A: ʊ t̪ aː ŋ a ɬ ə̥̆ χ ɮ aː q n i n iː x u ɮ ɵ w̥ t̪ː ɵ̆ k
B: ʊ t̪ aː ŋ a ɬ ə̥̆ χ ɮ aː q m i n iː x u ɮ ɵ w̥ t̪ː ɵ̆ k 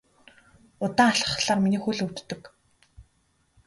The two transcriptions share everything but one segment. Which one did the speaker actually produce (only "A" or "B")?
B